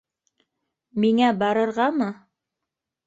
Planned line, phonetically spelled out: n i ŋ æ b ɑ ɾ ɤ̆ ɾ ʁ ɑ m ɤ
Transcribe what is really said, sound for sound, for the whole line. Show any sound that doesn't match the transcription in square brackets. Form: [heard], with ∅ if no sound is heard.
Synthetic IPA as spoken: [m] i ŋ æ b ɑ ɾ ɤ̆ ɾ ʁ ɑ m ɤ